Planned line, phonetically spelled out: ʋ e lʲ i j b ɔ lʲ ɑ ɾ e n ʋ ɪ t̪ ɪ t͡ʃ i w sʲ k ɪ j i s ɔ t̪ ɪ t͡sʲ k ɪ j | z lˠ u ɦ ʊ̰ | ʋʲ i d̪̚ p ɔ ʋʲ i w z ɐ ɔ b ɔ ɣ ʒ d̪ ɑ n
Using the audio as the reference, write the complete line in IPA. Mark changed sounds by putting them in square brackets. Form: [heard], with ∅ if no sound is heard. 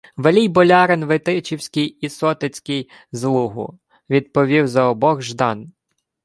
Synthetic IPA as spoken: ʋ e lʲ i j b ɔ lʲ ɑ ɾ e n ʋ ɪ t̪ ɪ t͡ʃ i w sʲ k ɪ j i s ɔ t̪ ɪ t͡sʲ k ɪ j | z lˠ u ɦ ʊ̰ | ʋʲ i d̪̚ p ɔ ʋʲ i w z ɐ ɔ b ɔ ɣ ʒ d̪ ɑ n

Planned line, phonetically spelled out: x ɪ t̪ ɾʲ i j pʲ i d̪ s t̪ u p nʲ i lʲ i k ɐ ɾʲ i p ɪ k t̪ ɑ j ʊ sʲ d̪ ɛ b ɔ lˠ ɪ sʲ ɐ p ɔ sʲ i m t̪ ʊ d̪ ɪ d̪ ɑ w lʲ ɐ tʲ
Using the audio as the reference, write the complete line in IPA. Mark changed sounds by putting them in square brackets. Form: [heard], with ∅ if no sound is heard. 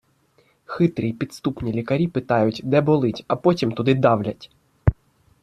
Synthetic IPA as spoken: x ɪ t̪ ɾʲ i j pʲ i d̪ s t̪ u p nʲ i lʲ i k ɐ ɾʲ i p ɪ [∅] t̪ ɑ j ʊ [tʲ] d̪ ɛ b ɔ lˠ ɪ [tʲ] ɐ p ɔ [tʲ] i m t̪ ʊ d̪ ɪ d̪ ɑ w lʲ ɐ tʲ

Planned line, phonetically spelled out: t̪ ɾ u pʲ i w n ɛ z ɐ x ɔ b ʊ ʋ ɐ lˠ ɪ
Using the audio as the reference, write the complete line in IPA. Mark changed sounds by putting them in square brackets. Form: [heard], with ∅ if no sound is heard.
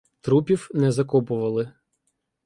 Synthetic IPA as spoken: t̪ ɾ u pʲ i w n ɛ z ɐ [k] ɔ [p] ʊ ʋ ɐ lˠ ɪ

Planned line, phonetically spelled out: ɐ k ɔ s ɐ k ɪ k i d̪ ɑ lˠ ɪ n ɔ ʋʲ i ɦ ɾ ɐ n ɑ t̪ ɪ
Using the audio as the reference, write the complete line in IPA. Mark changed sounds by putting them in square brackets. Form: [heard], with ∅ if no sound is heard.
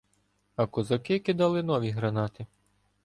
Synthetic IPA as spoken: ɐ k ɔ [z] ɐ k ɪ k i d̪ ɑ lˠ ɪ n ɔ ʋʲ i ɦ ɾ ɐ n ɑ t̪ ɪ

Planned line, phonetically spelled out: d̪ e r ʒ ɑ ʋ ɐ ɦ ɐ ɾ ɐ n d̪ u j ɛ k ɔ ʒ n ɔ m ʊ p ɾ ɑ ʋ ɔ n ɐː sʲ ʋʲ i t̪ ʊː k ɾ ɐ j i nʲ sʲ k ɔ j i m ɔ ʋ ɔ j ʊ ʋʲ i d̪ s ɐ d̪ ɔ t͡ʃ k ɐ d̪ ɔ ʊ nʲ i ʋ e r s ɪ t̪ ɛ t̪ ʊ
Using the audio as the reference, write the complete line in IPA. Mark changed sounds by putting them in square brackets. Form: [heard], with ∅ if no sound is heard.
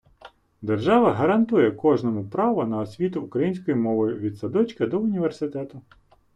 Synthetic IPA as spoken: d̪ e r ʒ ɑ ʋ ɐ ɦ ɐ ɾ ɐ n [t̪] u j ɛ k ɔ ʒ n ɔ m ʊ p ɾ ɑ ʋ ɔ n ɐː sʲ ʋʲ i t̪ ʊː k ɾ ɐ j i nʲ sʲ k ɔ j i m ɔ ʋ ɔ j ʊ ʋʲ i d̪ s ɐ d̪ ɔ t͡ʃ k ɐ d̪ ɔ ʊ nʲ i ʋ e r s ɪ t̪ ɛ t̪ ʊ

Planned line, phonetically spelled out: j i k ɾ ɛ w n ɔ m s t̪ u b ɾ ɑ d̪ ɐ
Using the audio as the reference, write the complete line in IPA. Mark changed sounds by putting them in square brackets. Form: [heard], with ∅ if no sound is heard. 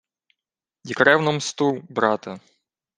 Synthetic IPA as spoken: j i k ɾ ɛ w n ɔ m s t̪ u b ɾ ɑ [t̪] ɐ

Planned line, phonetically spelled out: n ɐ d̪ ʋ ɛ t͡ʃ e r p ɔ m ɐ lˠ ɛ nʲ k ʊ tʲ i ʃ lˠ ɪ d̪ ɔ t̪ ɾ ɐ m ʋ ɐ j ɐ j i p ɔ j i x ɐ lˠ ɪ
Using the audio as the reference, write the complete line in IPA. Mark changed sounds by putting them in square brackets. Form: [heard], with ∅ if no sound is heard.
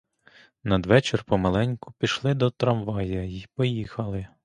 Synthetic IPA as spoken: n ɐ d̪ ʋ ɛ t͡ʃ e r p ɔ m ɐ lˠ ɛ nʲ k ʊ [pʲ] i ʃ lˠ ɪ d̪ ɔ t̪ ɾ ɐ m ʋ [ɑ] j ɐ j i p ɔ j i x ɐ lˠ ɪ

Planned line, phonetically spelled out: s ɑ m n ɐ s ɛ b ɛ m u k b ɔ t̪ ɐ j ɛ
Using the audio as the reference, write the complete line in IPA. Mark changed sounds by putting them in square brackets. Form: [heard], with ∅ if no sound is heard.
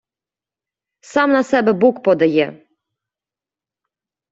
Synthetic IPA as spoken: s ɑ m n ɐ s ɛ b ɛ [b] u k [p] ɔ [d̪] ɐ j ɛ

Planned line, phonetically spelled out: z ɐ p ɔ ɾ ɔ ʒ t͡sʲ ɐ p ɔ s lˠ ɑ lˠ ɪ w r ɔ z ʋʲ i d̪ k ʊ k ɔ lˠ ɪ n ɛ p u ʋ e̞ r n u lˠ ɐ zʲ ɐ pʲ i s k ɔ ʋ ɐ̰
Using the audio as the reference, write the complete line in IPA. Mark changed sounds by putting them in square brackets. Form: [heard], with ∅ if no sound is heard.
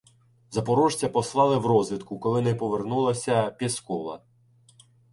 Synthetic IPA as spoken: z ɐ p ɔ ɾ ɔ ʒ t͡sʲ ɐ p ɔ s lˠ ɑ lˠ ɪ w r ɔ z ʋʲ i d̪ k ʊ k ɔ lˠ ɪ n ɛ p [ɔ] ʋ e̞ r n u lˠ ɐ [sʲ] ɐ pʲ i s k ɔ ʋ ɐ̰

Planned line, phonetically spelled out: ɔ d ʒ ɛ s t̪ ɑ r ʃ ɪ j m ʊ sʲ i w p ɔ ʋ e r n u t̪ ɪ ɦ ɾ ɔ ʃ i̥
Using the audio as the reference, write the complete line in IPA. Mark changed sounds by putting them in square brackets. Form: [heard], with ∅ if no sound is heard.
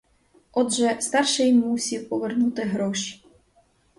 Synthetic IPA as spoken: ɔ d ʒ ɛ s t̪ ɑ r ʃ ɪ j m [u] sʲ i w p ɔ ʋ e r n u t̪ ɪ ɦ ɾ ɔ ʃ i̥

